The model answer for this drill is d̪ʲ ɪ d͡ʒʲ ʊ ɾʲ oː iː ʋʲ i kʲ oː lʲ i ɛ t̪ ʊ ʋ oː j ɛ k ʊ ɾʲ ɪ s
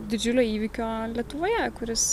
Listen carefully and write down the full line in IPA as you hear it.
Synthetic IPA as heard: d̪ʲ ɪ d͡ʒʲ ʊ lʲ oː iː ʋʲ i kʲ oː lʲ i ɛ t̪ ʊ ʋ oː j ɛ k ʊ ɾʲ ɪ s

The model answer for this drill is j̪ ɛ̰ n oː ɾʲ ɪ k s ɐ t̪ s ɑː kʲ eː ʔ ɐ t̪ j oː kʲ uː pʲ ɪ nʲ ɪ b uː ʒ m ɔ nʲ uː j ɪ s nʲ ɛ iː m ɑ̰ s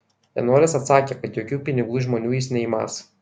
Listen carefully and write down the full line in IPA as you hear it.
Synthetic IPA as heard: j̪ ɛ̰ n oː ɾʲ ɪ s ɐ t̪ s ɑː kʲ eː k ɐ t̪ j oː kʲ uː pʲ ɪ nʲ ɪ ɡ uː ʒ m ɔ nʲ uː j ɪ s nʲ ɛ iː m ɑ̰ s

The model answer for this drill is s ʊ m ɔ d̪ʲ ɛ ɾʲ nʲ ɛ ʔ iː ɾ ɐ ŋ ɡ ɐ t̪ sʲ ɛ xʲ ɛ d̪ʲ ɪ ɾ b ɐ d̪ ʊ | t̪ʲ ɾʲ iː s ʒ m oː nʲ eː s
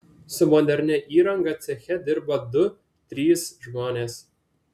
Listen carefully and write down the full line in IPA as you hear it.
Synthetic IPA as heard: s ʊ m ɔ d̪ʲ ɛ ɾʲ nʲ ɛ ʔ iː ɾ ɐ ŋ ɡ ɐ t̪ sʲ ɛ xʲ ɛ d̪ʲ ɪ ɾ b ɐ d̪ ʊ | t̪ʲ ɾʲ iː s ʒ m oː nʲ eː s

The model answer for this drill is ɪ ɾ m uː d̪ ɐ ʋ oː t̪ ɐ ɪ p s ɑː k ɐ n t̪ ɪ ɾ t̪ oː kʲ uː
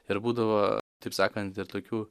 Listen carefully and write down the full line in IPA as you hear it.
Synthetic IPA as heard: ɪ ɾ b uː d̪ ɐ ʋ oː t̪ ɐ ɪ p s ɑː k ɐ n t̪ ɪ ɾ t̪ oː kʲ uː

